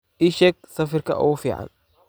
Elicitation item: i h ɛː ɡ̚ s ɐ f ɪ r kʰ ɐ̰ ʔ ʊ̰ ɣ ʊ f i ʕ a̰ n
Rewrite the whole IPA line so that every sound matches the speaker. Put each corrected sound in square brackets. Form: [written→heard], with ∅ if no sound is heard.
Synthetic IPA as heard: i [h→ʃ] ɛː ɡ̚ s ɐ f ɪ r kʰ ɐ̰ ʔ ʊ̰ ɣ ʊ f [i→iː] ʕ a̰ n